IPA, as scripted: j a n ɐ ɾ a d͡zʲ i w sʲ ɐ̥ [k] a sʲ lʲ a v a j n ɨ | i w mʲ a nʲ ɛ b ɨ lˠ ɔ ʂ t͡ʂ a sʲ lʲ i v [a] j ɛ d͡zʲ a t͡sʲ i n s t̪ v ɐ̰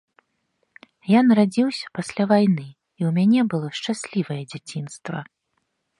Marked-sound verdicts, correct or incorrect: incorrect, incorrect

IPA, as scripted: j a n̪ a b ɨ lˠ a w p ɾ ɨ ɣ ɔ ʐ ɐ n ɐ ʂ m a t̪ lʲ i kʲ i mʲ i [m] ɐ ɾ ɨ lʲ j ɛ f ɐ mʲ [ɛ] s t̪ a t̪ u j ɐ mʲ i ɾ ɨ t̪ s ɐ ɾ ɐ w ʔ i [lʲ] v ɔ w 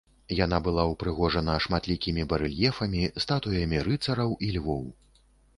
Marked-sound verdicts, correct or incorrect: incorrect, incorrect, correct

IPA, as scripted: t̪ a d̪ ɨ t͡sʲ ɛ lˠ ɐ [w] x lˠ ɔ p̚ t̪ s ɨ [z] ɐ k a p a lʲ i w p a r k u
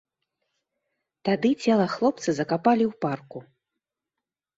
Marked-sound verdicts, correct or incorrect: incorrect, correct

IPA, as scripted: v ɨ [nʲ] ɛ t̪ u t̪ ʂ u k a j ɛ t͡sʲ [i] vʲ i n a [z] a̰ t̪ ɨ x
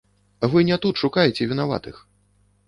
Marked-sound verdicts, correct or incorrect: correct, incorrect, incorrect

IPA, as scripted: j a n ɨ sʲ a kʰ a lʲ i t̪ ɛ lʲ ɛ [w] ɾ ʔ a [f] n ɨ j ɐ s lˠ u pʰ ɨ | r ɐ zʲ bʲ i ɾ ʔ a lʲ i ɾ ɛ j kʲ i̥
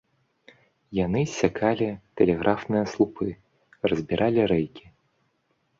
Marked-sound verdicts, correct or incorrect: incorrect, correct

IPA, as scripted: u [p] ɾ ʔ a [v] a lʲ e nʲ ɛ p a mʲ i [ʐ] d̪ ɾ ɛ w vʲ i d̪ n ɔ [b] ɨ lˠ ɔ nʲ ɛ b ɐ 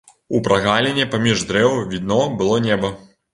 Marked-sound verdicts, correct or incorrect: correct, incorrect, correct, correct

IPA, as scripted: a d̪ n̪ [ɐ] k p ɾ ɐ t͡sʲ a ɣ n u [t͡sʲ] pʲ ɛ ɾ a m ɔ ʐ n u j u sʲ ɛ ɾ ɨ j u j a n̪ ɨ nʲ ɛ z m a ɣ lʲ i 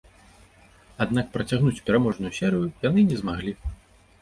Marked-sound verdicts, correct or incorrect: incorrect, correct

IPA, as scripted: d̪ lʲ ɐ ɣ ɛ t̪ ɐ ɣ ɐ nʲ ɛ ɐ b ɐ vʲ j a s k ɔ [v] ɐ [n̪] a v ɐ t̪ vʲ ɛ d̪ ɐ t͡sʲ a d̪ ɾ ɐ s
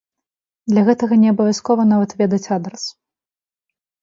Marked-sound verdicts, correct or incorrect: correct, correct

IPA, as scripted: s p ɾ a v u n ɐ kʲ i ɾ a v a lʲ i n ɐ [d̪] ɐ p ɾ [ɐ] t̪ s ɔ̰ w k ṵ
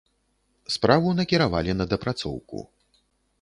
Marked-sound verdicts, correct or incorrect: correct, incorrect

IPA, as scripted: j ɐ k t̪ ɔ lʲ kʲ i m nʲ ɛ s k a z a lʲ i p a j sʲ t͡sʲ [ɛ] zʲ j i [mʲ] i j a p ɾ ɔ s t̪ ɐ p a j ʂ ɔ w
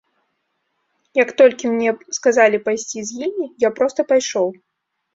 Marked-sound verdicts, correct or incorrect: incorrect, correct

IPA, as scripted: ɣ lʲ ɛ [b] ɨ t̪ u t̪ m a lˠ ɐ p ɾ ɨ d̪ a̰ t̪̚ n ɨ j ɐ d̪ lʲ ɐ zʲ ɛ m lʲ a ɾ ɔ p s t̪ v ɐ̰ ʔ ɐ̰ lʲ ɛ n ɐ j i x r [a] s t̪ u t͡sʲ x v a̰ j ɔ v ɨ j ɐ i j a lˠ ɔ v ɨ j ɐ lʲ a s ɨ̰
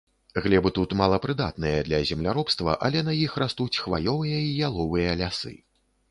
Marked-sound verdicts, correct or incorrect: correct, correct

